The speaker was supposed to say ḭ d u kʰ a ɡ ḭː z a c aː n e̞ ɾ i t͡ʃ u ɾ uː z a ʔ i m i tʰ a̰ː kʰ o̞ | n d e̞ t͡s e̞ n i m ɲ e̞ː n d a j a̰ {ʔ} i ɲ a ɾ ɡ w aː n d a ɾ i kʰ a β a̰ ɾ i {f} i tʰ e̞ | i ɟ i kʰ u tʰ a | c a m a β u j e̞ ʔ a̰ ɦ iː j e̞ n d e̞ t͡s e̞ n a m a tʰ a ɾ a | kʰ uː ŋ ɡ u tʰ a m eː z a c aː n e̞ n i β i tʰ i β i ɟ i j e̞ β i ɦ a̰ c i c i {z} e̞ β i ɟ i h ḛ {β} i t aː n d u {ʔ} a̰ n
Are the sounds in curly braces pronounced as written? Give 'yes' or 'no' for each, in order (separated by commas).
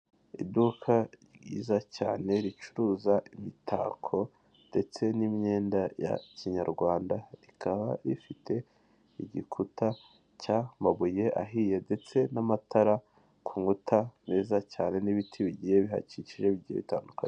no, yes, no, yes, no